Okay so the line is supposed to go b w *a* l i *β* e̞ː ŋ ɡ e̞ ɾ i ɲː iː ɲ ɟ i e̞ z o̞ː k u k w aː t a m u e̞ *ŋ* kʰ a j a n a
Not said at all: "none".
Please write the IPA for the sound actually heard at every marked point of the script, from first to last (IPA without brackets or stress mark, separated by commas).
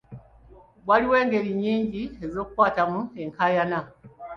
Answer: a, w, ŋ